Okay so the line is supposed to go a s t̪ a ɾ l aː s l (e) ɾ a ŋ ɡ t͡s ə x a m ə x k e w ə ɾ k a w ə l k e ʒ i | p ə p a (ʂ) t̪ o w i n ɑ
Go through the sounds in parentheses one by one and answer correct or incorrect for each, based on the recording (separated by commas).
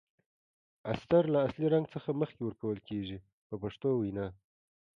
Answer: incorrect, correct